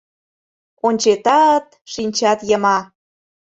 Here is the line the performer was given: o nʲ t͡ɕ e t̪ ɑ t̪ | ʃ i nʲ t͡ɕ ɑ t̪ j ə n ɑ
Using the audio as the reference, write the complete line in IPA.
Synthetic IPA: o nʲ t͡ɕ e t̪ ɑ t̪ | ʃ i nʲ t͡ɕ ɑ t̪ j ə m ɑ